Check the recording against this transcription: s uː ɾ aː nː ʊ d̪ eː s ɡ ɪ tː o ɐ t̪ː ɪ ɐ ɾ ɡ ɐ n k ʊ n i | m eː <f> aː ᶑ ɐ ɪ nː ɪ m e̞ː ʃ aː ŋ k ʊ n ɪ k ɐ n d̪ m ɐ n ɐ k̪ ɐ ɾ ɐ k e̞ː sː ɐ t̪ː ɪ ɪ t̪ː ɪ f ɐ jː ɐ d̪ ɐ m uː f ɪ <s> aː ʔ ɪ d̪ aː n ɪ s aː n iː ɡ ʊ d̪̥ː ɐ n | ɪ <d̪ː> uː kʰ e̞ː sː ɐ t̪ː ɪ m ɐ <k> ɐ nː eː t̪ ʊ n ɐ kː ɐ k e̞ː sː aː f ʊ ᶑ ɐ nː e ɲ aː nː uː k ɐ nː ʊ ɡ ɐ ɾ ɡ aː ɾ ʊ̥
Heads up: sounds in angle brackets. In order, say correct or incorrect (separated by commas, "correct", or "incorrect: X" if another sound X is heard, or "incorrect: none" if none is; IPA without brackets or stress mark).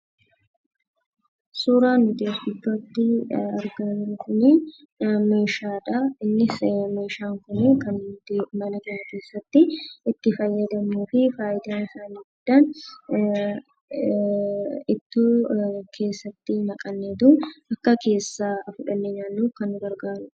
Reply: incorrect: ʃ, incorrect: f, incorrect: t̪ː, incorrect: kʼ